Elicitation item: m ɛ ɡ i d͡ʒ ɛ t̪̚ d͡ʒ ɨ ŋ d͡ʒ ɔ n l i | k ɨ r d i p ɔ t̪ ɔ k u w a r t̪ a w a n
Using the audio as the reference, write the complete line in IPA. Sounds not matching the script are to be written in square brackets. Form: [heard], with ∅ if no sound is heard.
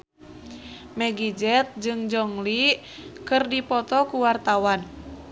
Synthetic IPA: m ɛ ɡ i d͡ʒ ɛ t̪̚ d͡ʒ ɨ ŋ d͡ʒ ɔ [ŋ] l i | k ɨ r d i p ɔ t̪ ɔ k u w a r t̪ a w a n